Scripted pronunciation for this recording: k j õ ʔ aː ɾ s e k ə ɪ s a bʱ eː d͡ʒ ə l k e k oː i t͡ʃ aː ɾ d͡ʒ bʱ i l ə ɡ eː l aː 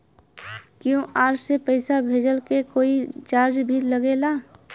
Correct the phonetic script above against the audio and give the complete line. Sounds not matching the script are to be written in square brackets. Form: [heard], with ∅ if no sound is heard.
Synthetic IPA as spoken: k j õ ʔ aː ɾ s e [p] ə ɪ s a bʱ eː d͡ʒ ə l k e k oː i t͡ʃ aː ɾ d͡ʒ bʱ i l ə ɡ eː l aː